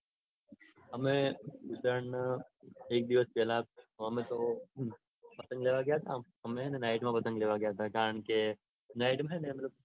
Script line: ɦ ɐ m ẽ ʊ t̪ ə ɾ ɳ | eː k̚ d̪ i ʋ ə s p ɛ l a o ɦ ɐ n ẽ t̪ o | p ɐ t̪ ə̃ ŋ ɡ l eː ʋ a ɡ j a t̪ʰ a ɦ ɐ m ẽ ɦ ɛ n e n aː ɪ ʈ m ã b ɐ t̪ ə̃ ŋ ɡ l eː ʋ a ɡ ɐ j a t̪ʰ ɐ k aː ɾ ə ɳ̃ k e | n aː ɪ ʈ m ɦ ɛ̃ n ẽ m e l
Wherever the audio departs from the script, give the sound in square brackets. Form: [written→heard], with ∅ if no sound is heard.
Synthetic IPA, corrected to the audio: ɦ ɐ m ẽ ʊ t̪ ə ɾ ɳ | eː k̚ d̪ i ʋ ə s p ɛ l a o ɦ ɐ [n→m] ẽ t̪ o | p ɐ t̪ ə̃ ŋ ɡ l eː ʋ a ɡ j a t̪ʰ a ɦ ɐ m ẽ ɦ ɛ n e n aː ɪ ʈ m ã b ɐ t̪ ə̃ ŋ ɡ l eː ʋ a ɡ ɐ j a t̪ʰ [ɐ→a] k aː ɾ ə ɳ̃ k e | n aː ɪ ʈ m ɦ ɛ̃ n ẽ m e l